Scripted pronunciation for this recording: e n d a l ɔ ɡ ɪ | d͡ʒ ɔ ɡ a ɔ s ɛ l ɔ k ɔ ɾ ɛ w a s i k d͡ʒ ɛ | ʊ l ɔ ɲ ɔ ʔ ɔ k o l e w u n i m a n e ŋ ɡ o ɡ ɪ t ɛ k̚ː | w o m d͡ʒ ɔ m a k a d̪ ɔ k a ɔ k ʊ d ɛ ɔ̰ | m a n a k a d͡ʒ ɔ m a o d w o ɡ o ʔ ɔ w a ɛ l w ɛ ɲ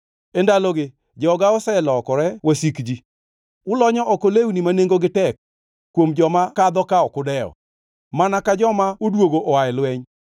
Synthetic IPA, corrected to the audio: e n d a l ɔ ɡ ɪ | d͡ʒ ɔ ɡ a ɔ s ɛ l ɔ k ɔ ɾ ɛ w a s i k d͡ʒ i | ʊ l ɔ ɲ ɔ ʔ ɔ k o l e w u n i m a n e ŋ ɡ o ɡ ɪ t ɛ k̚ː | w o m d͡ʒ ɔ m a k a d̪ ɔ k a ɔ k ʊ d ɛ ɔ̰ | m a n a k a d͡ʒ ɔ m a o d w o ɡ o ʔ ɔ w a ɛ l w ɛ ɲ